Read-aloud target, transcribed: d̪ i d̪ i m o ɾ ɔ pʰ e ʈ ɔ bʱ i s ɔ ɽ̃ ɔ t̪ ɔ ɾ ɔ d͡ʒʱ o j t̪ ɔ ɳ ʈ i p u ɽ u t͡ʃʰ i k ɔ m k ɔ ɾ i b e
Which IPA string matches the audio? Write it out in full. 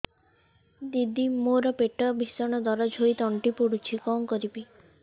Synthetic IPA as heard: d̪ i d̪ i m o ɾ ɔ p e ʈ ɔ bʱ i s ɔ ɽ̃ ɔ d̪ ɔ ɾ ɔ d͡ʒʱ o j t̪ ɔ ɳ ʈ i p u ɽ u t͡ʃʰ i k ɔ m k ɔ ɾ i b i